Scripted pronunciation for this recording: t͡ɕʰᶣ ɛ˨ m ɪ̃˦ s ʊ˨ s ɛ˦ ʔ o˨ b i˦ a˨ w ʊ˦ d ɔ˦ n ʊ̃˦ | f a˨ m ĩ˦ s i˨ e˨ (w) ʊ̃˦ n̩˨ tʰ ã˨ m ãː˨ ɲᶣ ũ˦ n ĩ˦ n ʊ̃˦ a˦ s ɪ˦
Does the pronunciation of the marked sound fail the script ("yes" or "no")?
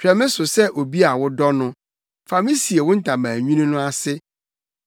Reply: no